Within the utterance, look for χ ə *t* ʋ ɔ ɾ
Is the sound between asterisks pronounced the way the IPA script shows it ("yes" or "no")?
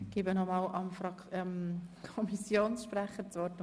no